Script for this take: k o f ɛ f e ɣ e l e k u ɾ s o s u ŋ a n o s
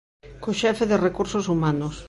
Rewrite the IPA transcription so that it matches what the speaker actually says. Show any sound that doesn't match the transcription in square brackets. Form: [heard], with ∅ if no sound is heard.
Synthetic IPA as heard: k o [ʃ] ɛ f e [ð] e [r] e k u ɾ s o s u [m] a n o s